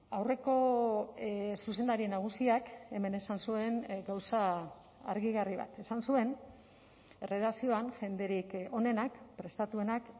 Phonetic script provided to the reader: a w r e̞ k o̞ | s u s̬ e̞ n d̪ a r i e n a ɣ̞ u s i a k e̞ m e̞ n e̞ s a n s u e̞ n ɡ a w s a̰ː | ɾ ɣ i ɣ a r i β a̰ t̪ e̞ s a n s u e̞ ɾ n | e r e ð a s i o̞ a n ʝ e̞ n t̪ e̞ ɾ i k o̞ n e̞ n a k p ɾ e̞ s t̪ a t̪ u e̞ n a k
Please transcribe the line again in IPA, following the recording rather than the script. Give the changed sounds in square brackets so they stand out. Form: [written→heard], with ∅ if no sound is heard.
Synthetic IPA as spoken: a w r e̞ k o̞ | s u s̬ e̞ n d̪ a [r→ɾ] i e n a ɣ̞ u s i a k e̞ m e̞ n e̞ s a n s u e̞ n ɡ a w s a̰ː | ɾ ɣ i ɣ a r i β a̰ t̪ e̞ s a n s u e̞ [ɾ→∅] n | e r e ð a s i o̞ a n ʝ e̞ n [t̪→d̪] e̞ ɾ i k o̞ n e̞ n a k p ɾ e̞ s t̪ a t̪ u e̞ n a k